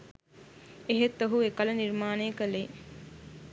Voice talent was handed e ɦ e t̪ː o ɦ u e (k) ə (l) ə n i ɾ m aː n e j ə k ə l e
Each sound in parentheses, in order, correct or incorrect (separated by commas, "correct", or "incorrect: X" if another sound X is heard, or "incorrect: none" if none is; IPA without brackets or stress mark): correct, correct